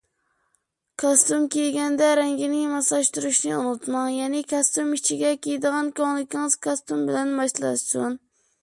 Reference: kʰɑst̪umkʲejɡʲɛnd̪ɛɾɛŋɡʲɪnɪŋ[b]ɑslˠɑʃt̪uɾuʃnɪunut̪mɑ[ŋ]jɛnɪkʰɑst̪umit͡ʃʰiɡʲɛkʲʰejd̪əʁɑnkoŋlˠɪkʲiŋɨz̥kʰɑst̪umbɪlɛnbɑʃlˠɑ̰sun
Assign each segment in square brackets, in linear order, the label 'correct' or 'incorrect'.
incorrect: m, correct

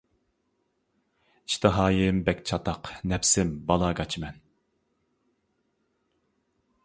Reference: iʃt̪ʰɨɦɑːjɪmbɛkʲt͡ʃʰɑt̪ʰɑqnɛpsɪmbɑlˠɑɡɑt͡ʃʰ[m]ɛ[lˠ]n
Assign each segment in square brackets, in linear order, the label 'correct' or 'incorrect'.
correct, incorrect: none

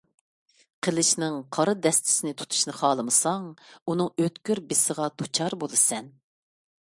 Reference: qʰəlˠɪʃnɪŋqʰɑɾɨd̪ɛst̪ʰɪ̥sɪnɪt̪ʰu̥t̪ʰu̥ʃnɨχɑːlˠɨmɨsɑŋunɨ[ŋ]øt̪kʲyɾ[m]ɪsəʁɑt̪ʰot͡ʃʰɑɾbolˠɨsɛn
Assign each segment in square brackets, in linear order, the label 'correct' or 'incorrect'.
correct, incorrect: b

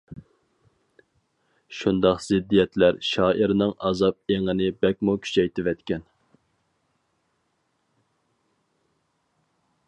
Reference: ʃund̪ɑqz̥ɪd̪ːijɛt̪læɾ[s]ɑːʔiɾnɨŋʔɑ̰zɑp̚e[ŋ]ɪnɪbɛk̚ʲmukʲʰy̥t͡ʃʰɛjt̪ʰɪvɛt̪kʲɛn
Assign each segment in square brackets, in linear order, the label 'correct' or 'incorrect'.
incorrect: ʃ, correct

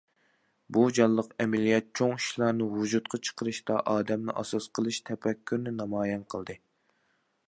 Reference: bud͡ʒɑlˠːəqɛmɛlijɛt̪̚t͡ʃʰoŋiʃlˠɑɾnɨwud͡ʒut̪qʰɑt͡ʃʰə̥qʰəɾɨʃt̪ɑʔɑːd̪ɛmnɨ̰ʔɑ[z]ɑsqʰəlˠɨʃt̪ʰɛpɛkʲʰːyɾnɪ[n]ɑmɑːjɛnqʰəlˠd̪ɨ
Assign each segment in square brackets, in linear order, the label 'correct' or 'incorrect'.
incorrect: s, correct

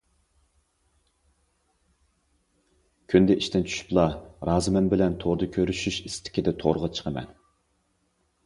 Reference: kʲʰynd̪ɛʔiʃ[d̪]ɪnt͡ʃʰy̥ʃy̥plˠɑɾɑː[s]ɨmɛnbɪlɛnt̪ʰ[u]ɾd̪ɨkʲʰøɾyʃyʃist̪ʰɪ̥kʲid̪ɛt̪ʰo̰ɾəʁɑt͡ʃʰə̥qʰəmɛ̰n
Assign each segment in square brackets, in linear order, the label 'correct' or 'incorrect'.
incorrect: t̪, incorrect: z, incorrect: o

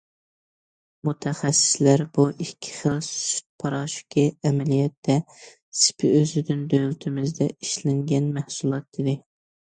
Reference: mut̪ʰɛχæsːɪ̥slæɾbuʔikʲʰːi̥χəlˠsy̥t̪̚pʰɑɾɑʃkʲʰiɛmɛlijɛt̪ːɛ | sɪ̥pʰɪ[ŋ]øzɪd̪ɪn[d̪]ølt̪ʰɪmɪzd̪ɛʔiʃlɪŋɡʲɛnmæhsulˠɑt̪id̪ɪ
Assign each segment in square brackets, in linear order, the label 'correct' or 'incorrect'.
incorrect: none, correct

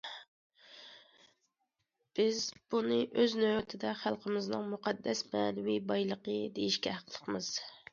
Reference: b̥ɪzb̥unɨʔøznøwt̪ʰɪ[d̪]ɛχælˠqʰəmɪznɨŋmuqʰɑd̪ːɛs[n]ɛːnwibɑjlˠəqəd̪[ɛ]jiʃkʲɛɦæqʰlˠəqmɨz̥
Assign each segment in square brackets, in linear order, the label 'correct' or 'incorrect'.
correct, incorrect: m, incorrect: e

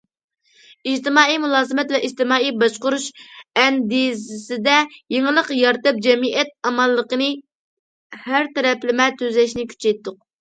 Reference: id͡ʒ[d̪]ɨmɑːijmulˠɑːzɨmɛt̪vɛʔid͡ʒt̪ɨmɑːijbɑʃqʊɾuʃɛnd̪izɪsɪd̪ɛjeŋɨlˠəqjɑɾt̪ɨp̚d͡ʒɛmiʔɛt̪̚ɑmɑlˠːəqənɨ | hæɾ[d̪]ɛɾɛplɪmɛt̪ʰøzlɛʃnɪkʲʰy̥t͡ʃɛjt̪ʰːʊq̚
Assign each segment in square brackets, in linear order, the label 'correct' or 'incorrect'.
incorrect: t̪, incorrect: t̪

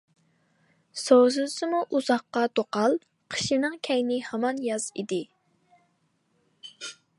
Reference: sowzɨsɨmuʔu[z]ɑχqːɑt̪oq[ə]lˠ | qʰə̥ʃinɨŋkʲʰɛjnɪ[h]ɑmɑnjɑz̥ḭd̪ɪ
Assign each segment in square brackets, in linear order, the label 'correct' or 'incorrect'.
correct, incorrect: ɑ, correct

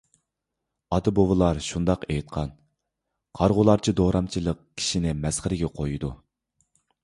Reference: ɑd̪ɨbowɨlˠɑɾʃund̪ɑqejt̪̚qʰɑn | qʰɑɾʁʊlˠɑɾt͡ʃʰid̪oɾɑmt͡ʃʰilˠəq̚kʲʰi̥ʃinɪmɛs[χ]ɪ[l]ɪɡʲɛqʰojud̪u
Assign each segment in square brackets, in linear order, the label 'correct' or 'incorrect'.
correct, incorrect: ɾ

